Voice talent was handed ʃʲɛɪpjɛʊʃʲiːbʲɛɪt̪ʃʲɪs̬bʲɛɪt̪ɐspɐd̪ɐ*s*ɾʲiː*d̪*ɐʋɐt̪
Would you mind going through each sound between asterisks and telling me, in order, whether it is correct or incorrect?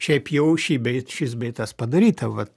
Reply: incorrect: none, incorrect: t̪

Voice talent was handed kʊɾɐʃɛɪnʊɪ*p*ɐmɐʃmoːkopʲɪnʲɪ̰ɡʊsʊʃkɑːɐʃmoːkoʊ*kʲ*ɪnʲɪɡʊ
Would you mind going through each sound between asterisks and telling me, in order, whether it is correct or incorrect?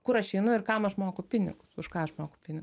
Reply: incorrect: k, incorrect: pʲ

